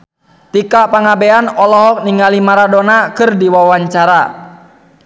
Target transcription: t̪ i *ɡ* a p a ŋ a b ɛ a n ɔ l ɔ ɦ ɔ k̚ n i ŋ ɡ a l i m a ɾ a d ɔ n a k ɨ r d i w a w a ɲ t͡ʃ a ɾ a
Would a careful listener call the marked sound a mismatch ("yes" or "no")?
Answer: yes